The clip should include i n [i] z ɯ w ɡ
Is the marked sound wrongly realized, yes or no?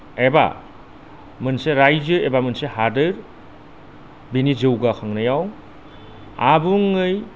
no